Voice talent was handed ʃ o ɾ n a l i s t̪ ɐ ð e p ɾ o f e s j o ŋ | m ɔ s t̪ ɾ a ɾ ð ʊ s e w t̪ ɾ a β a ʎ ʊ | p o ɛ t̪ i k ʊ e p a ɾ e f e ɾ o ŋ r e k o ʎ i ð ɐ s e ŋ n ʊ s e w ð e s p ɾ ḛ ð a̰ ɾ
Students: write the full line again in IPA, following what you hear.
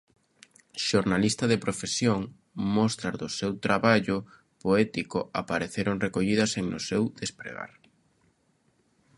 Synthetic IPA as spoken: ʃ o ɾ n a l i s t̪ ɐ ð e p ɾ o f e s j o ŋ | m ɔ s t̪ ɾ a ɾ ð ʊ s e w t̪ ɾ a β a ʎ ʊ | p o ɛ t̪ i k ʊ a p a ɾ e θ e ɾ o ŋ r e k o ʎ i ð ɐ s e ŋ n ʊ s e w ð e s p ɾ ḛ ɣ a̰ ɾ